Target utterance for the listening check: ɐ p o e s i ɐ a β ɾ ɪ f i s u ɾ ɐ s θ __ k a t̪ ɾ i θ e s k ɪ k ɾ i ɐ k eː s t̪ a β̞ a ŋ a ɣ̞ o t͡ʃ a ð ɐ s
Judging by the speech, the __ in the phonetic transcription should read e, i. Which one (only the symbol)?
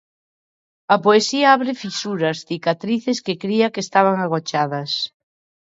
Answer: i